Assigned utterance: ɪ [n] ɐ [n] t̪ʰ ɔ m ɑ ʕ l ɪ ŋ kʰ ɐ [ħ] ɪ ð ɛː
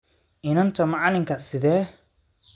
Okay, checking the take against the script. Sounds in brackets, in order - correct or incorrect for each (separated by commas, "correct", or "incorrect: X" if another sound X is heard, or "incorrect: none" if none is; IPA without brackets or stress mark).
correct, correct, incorrect: s